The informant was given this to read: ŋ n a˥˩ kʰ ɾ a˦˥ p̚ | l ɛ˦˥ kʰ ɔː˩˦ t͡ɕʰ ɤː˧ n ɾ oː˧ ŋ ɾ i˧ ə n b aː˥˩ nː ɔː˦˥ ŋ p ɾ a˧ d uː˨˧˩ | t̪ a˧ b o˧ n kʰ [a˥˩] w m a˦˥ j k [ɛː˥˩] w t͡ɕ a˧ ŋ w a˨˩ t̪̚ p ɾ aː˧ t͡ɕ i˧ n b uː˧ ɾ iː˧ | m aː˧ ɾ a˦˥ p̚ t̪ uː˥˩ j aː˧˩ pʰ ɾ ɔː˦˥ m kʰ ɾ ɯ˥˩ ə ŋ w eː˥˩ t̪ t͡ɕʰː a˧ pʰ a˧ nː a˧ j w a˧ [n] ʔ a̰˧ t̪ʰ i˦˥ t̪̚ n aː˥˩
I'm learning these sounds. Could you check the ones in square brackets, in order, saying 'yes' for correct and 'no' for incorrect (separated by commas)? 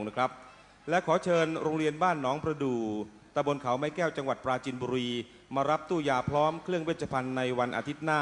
no, yes, yes